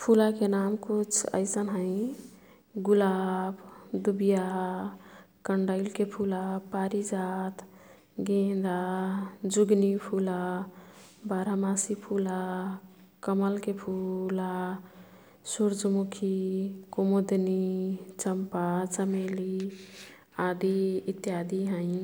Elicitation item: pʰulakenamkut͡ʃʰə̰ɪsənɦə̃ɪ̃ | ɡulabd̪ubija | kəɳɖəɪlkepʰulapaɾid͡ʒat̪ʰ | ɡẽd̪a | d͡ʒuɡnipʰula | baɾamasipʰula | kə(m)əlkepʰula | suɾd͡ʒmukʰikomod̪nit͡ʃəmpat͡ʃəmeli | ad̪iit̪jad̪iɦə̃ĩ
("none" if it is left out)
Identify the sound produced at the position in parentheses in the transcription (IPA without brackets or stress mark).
m